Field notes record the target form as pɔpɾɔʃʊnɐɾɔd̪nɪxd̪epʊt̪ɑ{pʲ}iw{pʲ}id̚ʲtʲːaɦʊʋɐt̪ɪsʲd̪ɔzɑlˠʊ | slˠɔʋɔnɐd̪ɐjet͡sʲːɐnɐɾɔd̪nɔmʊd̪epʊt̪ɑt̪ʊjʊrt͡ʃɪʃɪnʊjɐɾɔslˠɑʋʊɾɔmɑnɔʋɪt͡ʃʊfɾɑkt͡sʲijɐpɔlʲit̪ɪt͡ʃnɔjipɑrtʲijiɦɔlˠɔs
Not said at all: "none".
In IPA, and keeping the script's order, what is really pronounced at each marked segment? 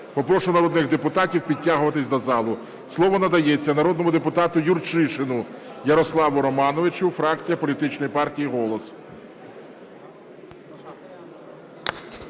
tʲ, pʲ

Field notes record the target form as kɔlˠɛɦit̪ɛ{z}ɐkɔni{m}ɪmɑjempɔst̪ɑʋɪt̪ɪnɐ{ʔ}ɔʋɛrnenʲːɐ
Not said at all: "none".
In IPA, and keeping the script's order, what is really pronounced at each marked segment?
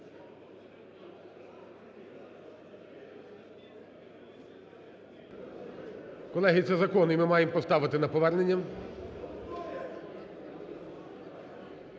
z, m, p

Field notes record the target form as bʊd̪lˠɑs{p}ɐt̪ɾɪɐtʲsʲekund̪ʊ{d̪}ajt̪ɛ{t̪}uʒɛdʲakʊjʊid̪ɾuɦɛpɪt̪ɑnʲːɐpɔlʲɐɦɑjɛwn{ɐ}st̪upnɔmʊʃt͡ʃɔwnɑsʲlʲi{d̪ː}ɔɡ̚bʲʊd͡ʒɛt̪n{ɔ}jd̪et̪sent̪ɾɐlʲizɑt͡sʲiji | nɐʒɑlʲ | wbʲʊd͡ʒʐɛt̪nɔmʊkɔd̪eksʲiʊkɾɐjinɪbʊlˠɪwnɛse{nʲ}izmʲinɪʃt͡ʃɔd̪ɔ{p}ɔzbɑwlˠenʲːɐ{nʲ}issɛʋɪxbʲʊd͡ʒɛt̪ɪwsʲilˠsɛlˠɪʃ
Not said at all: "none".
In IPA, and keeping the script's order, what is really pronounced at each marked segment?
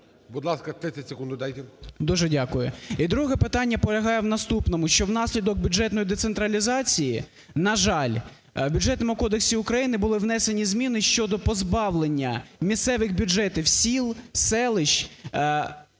k, d̪, d̪, ɐ, d̪, ɔ, nʲ, p, mʲ

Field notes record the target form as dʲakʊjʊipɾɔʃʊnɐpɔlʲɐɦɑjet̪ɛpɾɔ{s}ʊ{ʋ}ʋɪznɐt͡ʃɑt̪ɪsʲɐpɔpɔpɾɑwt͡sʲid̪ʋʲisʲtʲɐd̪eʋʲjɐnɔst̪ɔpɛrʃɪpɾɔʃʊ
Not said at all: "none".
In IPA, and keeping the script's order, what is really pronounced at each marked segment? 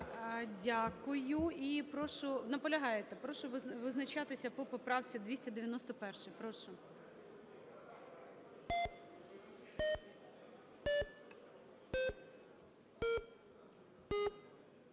ʃ, ʋ

